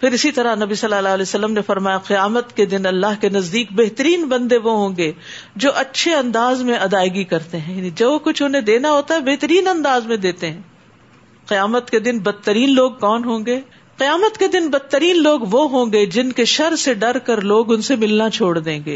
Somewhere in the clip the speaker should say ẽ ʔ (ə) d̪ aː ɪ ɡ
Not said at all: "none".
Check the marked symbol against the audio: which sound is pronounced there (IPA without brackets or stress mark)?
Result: ɐ